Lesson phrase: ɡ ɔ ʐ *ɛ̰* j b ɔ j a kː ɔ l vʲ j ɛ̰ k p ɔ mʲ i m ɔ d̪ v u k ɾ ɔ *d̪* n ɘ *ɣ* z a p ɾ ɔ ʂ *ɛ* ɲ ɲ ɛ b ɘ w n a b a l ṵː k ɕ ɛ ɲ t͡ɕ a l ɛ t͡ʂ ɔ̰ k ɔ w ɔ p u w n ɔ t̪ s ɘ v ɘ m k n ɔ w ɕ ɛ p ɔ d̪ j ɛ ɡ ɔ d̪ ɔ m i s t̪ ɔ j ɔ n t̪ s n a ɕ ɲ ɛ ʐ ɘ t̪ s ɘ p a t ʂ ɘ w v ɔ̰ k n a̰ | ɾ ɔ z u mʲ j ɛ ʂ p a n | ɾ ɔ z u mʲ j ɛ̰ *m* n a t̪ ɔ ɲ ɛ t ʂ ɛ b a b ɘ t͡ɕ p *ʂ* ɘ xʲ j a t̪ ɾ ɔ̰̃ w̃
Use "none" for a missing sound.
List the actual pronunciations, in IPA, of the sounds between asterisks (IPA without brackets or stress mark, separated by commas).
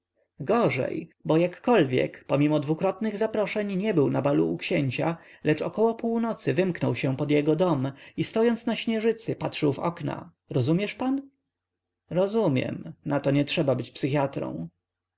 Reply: ɛ̰, t̪, ɣ, ɛ, m, s